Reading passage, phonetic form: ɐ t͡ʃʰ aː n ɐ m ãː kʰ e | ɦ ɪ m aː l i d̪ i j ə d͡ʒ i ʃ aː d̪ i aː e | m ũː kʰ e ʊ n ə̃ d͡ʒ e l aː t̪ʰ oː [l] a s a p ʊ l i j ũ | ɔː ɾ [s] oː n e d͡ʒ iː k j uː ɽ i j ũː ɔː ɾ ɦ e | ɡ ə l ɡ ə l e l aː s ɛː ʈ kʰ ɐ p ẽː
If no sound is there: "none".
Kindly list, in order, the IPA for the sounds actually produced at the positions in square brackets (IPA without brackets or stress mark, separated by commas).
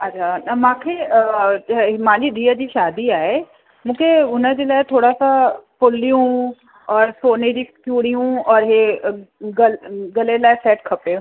ɽ, s